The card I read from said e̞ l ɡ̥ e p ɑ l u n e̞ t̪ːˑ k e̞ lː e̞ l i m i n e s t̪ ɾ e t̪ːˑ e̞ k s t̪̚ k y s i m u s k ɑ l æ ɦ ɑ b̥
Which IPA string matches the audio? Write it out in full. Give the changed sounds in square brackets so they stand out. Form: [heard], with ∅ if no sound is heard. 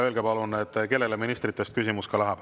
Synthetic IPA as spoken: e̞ l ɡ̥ e p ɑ l u n e̞ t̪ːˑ k e̞ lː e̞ l [e] m i n [i] s t̪ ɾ [i] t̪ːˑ e̞ [∅] s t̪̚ k y s i m u s k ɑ l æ ɦ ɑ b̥